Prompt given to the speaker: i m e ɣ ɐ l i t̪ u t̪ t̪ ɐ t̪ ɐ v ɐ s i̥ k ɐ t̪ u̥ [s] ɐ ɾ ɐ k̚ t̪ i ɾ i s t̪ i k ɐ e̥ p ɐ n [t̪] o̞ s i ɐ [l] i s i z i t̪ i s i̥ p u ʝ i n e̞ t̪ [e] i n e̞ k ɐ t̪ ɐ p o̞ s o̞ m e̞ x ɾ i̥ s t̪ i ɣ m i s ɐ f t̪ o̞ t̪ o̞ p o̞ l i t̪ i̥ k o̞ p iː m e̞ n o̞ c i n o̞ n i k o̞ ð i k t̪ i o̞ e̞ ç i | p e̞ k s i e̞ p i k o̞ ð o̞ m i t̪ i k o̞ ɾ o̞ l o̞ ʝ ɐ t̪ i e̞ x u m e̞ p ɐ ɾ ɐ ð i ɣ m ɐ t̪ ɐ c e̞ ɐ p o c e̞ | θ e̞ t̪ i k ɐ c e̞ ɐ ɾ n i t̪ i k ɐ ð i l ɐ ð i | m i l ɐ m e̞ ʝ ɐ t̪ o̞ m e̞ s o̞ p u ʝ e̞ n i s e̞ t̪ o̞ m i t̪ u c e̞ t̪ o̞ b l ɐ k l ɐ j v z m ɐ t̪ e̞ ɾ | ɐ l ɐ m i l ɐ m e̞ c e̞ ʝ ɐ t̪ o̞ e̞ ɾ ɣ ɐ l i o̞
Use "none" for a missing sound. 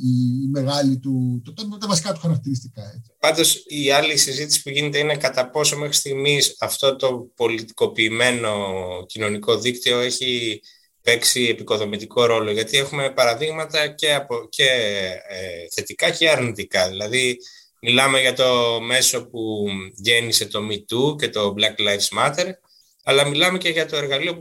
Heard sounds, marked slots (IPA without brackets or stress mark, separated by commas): x, d̪, l, e